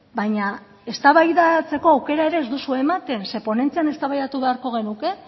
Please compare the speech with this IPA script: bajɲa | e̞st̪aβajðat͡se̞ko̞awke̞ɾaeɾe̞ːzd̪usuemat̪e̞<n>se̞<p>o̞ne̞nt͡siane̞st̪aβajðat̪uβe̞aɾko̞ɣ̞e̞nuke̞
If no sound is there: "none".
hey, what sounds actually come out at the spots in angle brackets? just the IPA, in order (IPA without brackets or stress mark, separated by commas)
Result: n, p